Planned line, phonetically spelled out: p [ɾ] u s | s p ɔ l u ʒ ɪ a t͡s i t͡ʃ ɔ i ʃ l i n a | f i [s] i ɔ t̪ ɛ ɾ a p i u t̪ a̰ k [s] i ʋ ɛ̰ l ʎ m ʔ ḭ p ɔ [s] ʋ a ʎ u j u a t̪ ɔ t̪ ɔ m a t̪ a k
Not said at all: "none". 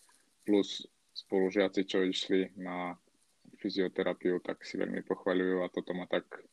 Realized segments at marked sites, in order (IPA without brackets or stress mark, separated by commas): l, z, s, x